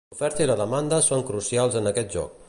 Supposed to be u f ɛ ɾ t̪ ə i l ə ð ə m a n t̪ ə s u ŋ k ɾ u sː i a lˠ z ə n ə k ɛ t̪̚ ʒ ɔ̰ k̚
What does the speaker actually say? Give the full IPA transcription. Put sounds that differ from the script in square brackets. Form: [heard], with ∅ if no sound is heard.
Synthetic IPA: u f ɛ ɾ t̪ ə i l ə ð ə m a n [d̪] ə s [o] ŋ k ɾ u [s] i a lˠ z ə n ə k ɛ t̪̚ ʒ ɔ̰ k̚